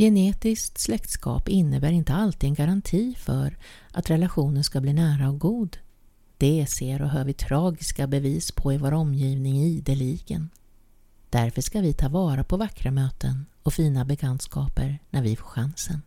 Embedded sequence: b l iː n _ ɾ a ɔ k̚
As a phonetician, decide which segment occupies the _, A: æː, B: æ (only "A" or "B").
A